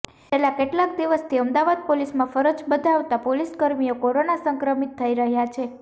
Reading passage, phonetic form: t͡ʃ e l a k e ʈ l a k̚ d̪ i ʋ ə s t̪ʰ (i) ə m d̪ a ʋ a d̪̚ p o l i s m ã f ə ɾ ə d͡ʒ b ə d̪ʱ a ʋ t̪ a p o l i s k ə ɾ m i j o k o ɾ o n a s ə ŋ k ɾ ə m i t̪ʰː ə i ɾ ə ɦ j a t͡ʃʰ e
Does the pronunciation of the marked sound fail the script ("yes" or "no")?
no